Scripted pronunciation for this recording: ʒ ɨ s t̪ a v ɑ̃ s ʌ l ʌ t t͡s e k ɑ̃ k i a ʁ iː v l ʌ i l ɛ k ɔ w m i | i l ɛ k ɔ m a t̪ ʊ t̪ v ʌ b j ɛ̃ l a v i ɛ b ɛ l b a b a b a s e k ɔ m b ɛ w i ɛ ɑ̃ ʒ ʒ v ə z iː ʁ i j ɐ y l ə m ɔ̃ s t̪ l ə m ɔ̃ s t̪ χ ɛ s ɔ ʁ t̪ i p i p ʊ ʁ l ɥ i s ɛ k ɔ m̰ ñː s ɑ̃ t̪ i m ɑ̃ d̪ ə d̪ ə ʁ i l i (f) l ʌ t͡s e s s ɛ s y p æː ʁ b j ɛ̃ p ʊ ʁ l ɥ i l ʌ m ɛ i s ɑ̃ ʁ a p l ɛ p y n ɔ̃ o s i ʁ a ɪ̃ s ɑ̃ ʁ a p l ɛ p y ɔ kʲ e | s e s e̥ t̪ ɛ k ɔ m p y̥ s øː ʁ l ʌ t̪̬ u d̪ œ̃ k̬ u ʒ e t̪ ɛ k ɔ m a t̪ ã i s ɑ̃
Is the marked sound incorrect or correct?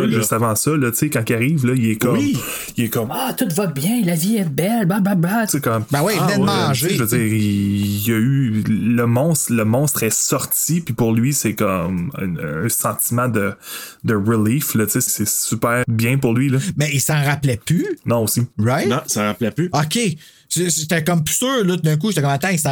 correct